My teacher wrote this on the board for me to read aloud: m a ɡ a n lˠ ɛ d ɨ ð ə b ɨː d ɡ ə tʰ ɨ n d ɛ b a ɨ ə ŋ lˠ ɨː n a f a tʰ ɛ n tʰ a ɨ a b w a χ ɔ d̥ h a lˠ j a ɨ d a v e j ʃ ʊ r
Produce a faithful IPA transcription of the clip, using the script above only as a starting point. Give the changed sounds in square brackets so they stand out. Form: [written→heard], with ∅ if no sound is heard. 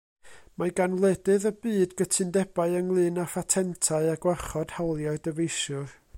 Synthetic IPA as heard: m a ɡ a n lˠ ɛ d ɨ ð ə b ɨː d ɡ ə tʰ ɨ n d ɛ b a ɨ ə ŋ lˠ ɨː n a f a tʰ ɛ n tʰ a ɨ a [b→ɡ] w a χ ɔ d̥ h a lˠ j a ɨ d [a→ə] v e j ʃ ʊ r

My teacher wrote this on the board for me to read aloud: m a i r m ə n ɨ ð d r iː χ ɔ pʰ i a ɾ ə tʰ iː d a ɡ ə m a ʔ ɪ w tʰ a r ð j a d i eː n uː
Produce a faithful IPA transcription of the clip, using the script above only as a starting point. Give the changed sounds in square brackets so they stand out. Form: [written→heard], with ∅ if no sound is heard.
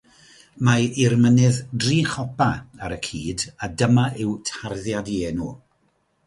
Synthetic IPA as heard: m a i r m ə n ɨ ð d r iː χ ɔ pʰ [i→a] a ɾ ə [tʰ→kʰ] iː d a [ɡ→d] ə m a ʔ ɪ w tʰ a r ð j a d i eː n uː

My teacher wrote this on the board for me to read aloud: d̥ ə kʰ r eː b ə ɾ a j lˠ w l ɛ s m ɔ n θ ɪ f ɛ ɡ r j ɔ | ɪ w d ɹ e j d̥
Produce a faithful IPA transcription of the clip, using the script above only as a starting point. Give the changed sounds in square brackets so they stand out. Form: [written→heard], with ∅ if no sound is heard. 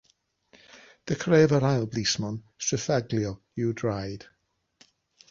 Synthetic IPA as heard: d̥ ə kʰ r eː [b→v] ə ɾ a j lˠ [w→b] l [ɛ→i] s m ɔ n [θ→s] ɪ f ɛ ɡ [r→l] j ɔ | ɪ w d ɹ [e→a] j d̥

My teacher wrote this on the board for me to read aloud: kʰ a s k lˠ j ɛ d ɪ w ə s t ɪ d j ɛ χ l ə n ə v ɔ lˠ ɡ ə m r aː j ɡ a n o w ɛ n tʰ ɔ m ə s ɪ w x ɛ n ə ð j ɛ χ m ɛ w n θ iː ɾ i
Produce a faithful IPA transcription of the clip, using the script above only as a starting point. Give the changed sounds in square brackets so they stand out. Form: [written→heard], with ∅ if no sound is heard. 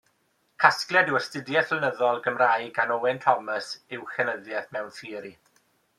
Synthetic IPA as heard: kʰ a s k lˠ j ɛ d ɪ w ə s t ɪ d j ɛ [χ→θ] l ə n ə [v→ð] ɔ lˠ ɡ ə m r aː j ɡ a n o w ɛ n tʰ ɔ m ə s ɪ w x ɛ n ə ð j ɛ [χ→θ] m ɛ w n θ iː ɾ i

